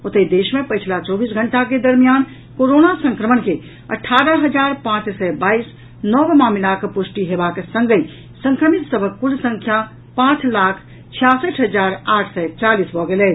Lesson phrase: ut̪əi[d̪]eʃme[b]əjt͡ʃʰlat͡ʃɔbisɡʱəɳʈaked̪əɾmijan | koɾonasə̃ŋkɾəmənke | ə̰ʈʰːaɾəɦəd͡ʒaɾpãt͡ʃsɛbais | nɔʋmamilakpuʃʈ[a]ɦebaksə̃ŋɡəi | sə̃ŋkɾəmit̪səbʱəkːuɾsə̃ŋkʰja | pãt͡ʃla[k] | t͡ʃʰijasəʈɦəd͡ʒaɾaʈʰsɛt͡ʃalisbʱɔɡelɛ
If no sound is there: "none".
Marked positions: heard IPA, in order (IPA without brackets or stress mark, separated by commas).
d̪, p, i, kʰ